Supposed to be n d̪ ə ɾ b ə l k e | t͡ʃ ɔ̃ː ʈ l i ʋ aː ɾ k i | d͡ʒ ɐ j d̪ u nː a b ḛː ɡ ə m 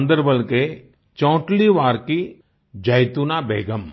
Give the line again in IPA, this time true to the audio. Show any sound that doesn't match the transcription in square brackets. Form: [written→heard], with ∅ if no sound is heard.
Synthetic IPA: n d̪ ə ɾ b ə l k e | t͡ʃ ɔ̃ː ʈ l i ʋ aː ɾ k i | d͡ʒ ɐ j [d̪→t̪] u [nː→n] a b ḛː ɡ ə m